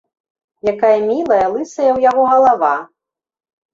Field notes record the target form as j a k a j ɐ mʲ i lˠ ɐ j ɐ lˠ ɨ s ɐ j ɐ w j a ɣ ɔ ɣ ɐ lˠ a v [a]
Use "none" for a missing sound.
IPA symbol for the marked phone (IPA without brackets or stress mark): a